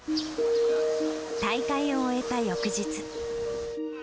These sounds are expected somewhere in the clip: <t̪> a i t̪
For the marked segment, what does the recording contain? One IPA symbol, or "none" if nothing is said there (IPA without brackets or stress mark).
t̪